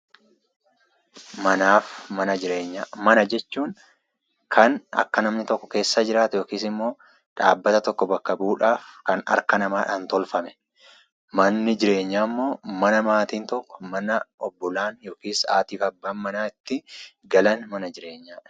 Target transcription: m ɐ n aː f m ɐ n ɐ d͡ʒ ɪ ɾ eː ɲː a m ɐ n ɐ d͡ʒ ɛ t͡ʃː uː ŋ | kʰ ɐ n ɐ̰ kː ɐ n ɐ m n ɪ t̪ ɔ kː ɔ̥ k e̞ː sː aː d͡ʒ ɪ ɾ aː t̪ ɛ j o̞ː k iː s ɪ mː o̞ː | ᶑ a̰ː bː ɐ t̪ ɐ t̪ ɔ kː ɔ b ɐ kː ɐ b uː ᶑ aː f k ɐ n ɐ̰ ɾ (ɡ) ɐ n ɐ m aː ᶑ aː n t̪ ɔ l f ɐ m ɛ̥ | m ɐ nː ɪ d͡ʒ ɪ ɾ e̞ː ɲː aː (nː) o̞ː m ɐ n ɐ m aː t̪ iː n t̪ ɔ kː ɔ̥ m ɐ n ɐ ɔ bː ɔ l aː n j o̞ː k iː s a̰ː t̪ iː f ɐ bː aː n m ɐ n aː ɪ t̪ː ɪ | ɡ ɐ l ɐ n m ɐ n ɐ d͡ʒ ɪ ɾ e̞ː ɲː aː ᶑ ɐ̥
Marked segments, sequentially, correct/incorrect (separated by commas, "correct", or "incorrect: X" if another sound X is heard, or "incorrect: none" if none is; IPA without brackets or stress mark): incorrect: k, incorrect: mː